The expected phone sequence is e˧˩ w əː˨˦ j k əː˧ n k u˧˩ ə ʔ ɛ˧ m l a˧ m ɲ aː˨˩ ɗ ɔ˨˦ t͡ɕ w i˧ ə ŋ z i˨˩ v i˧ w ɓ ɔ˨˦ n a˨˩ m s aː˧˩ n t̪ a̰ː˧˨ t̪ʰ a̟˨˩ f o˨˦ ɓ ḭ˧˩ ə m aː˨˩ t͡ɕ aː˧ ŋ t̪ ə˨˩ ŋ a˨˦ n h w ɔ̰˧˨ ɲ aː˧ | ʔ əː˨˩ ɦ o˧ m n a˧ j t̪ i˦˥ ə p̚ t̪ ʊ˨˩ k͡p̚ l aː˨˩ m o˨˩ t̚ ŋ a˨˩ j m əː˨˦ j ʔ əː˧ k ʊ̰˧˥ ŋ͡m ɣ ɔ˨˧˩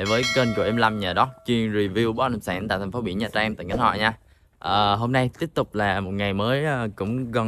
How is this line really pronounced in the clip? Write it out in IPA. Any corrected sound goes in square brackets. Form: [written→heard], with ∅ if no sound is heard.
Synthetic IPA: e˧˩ [w→v] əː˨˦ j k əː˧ n k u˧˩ ə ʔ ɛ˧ m l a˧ m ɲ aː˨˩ ɗ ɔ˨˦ t͡ɕ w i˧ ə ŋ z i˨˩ v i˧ w ɓ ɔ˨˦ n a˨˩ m s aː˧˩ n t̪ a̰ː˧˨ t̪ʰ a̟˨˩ f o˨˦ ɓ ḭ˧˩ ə [m→ɲ] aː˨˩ t͡ɕ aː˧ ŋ t̪ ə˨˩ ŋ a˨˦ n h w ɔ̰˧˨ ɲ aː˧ | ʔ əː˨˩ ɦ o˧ m n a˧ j t̪ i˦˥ ə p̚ t̪ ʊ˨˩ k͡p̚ l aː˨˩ m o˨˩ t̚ ŋ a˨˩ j m əː˨˦ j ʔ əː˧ k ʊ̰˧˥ ŋ͡m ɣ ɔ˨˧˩